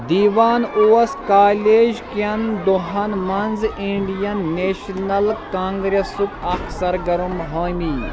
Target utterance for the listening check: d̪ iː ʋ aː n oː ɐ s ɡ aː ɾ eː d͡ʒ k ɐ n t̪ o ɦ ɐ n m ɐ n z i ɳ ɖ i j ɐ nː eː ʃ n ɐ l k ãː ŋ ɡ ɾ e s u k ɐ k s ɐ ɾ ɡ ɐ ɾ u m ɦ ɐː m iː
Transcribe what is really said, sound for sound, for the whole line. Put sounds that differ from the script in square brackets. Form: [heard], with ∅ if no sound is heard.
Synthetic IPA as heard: d̪ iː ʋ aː n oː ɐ s [k] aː [l] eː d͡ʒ k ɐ n [d̪] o ɦ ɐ n m ɐ n z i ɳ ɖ i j ɐ nː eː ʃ n ɐ l k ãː ŋ ɡ ɾ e s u k ɐ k s ɐ ɾ ɡ ɐ ɾ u m ɦ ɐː m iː